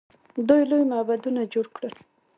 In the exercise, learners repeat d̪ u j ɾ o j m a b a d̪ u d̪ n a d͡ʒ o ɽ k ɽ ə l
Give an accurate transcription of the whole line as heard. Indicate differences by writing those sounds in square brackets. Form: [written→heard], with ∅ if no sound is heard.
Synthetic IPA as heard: d̪ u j [ɾ→l] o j m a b a d̪ u [d̪→∅] n a d͡ʒ o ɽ k ɽ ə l